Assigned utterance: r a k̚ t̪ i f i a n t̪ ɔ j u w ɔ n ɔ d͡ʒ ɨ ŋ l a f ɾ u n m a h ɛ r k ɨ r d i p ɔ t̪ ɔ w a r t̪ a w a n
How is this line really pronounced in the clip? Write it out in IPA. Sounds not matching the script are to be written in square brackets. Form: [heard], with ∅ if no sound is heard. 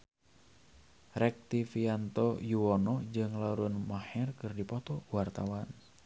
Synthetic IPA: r [ɛ] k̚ t̪ i f i a n t̪ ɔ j u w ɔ n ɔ d͡ʒ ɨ ŋ l a [∅] ɾ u n m a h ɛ r k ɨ r d i p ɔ t̪ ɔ w a r t̪ a w a n